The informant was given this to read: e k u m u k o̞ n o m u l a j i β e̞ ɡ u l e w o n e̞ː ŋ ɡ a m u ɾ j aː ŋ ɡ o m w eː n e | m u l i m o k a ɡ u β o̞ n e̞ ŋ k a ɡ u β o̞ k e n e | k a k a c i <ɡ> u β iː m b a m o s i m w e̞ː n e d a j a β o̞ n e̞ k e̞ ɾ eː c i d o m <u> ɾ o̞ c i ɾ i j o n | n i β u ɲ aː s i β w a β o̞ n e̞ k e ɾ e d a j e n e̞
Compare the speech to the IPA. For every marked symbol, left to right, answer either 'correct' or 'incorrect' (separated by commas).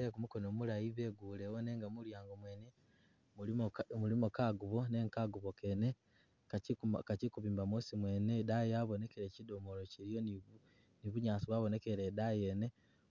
incorrect, incorrect